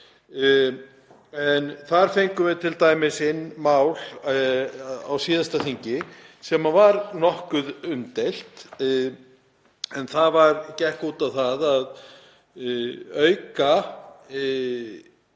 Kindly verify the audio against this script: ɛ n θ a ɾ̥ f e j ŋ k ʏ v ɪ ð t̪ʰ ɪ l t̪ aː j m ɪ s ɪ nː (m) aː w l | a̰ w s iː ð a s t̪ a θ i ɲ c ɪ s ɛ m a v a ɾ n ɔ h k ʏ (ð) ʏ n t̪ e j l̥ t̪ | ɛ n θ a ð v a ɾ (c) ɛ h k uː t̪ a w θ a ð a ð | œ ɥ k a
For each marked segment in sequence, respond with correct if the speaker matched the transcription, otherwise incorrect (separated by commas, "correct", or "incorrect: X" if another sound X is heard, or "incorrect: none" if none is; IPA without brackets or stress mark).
correct, correct, correct